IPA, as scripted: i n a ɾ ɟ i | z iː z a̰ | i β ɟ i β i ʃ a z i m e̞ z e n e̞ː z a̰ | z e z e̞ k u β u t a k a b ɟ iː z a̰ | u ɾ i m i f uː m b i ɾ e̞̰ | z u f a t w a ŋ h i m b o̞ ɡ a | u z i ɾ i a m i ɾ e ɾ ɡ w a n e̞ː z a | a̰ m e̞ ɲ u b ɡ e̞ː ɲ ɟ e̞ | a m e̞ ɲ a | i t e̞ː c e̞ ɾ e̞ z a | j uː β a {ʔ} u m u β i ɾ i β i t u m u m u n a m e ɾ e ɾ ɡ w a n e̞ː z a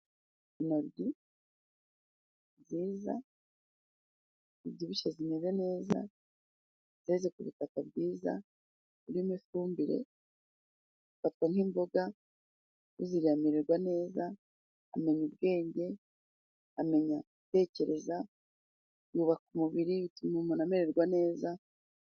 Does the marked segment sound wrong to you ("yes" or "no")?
yes